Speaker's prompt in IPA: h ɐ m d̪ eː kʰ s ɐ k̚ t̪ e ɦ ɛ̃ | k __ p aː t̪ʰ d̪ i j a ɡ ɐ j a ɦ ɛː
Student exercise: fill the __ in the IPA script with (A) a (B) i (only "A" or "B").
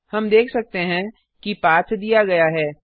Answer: B